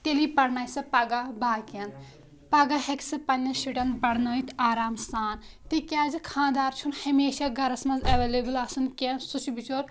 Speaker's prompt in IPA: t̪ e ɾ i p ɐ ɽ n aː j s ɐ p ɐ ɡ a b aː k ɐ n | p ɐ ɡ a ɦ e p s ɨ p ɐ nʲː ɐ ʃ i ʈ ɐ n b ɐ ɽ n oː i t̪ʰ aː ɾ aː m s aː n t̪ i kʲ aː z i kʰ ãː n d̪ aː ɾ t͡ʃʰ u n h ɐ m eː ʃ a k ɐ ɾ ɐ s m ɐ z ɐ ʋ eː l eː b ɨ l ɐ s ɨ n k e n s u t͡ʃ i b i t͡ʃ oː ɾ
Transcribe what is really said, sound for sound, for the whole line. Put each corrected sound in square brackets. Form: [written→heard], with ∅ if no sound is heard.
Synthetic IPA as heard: t̪ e [ɾ→l] i p ɐ ɽ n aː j s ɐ p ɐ ɡ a b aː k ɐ n | p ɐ ɡ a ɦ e [p→k] s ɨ p ɐ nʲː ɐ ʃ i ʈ ɐ n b ɐ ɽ n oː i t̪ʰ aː ɾ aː m s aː n t̪ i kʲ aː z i kʰ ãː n d̪ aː ɾ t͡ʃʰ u n h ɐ m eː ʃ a [k→ɡ] ɐ ɾ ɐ s m ɐ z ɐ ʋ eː l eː b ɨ l ɐ s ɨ n k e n s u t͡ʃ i b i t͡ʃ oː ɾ